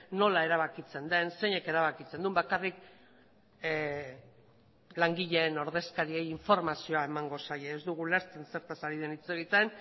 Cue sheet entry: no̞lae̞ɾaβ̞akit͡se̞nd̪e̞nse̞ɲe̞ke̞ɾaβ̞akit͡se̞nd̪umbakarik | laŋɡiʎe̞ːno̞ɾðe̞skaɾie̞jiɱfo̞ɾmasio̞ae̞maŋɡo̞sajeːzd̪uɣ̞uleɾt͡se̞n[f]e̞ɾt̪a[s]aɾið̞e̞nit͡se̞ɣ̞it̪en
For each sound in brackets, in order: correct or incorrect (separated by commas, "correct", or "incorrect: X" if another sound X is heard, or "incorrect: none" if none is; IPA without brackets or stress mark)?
incorrect: s, correct